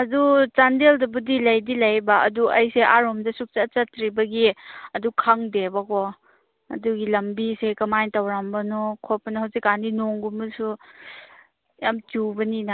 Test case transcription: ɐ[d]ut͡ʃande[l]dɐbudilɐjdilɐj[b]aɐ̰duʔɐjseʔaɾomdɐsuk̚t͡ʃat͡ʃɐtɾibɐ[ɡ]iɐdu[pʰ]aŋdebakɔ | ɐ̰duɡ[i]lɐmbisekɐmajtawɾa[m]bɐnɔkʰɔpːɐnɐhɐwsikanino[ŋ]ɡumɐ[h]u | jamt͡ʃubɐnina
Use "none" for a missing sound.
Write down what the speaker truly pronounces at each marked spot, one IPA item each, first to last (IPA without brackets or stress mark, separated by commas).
d, l, b, ɡ, kʰ, i, m, ŋ, s